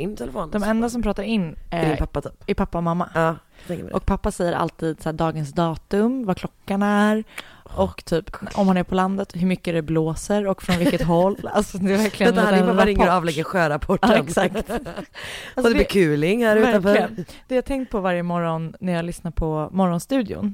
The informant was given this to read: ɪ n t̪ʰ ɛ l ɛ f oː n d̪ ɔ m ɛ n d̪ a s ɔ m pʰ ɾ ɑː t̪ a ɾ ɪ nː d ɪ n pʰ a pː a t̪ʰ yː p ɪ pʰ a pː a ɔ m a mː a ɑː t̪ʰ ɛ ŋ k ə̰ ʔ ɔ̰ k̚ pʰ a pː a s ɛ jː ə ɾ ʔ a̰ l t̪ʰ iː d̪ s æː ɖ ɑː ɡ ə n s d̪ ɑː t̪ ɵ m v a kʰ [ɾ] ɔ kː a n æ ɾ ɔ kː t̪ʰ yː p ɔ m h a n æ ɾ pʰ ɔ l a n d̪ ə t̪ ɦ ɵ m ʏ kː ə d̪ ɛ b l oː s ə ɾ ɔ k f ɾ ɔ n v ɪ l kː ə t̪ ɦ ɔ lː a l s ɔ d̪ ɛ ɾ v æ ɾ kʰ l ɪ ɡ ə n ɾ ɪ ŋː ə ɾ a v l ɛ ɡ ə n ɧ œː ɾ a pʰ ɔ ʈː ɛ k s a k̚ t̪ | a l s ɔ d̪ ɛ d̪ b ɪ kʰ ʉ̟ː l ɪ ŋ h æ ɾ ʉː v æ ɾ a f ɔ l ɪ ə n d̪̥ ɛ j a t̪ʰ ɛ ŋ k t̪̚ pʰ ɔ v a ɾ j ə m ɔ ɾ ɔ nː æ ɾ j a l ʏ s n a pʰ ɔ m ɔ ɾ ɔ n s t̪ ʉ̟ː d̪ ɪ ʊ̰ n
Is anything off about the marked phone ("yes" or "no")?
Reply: yes